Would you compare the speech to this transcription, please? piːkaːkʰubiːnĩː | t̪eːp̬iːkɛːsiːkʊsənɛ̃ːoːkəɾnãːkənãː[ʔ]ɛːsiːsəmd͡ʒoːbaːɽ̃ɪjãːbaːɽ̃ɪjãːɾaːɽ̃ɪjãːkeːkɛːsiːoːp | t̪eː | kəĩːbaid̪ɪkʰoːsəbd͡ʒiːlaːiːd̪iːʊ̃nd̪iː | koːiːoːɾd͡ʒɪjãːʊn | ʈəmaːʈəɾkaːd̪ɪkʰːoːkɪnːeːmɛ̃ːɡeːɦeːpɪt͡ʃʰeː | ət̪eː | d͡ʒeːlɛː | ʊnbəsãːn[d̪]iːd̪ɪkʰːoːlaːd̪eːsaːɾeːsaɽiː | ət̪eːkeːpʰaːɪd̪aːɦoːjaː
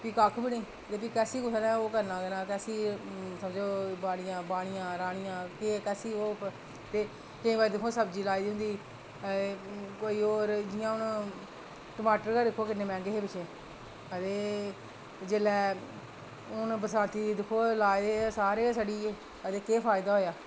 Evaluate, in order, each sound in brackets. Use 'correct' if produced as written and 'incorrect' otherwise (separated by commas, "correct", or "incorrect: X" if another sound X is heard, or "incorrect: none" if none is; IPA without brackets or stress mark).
incorrect: k, incorrect: t̪